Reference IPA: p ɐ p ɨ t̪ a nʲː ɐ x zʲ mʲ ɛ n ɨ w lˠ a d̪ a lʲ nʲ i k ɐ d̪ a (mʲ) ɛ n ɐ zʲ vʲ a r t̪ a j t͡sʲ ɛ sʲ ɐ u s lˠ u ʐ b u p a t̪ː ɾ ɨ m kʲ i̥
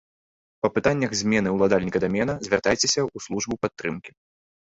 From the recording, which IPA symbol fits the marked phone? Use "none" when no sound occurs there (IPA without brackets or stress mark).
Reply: mʲ